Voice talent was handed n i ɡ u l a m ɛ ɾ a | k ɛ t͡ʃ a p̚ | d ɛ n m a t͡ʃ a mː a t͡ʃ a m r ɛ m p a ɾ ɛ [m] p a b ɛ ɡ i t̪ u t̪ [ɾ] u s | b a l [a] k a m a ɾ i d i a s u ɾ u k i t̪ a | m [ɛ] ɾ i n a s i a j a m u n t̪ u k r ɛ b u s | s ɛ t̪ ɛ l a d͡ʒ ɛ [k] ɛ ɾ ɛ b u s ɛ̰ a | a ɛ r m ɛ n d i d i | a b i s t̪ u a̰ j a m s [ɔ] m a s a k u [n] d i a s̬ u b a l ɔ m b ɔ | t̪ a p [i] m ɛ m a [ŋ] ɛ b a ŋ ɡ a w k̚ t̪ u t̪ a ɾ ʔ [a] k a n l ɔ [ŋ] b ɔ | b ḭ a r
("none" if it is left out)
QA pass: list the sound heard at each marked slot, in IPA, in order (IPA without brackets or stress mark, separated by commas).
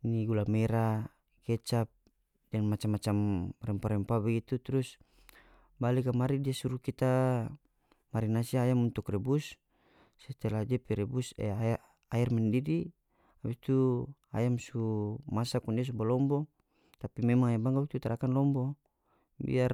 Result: m, ɾ, i, a, p, u, n, i, ŋ, a, m